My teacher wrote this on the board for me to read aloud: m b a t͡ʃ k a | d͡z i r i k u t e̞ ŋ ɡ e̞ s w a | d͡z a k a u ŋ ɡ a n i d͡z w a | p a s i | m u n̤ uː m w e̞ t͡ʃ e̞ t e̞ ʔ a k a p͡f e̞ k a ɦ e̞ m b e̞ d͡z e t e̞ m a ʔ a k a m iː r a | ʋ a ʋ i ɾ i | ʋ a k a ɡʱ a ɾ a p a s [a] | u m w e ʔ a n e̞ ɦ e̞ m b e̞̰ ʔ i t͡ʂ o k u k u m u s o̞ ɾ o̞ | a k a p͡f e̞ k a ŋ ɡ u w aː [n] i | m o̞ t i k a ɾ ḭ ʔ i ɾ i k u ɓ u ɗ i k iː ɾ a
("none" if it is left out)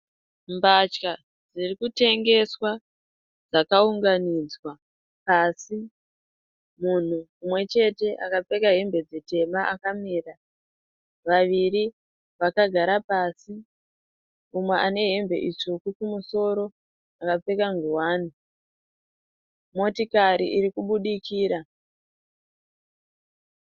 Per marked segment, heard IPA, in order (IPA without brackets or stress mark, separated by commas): i, n